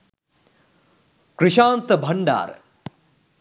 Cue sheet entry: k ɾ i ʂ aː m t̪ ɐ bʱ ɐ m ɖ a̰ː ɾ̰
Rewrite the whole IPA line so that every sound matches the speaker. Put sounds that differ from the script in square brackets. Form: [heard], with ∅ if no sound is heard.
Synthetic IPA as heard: k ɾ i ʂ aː [n] t̪ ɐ bʱ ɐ [ɳ] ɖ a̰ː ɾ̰